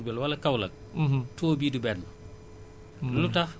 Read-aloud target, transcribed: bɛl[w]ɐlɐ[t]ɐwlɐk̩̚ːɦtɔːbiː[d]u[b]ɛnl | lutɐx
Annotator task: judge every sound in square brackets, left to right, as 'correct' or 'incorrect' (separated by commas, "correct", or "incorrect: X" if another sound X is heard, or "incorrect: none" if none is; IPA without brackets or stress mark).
correct, incorrect: k, correct, correct